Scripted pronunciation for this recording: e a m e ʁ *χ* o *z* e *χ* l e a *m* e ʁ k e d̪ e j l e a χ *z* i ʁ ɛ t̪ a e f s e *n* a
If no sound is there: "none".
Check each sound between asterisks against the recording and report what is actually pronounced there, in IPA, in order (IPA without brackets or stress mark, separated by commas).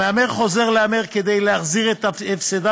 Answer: χ, z, ʁ, m, z, d